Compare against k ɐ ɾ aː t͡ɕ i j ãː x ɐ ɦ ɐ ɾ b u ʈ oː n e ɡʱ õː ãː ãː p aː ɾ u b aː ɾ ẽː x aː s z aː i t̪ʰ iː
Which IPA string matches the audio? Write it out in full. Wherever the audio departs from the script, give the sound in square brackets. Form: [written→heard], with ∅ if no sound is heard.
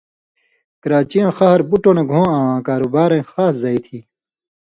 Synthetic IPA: k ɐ ɾ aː t͡ɕ i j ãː x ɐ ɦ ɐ ɾ b u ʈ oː n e ɡʱ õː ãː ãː [p→k] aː ɾ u b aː ɾ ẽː x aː s z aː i t̪ʰ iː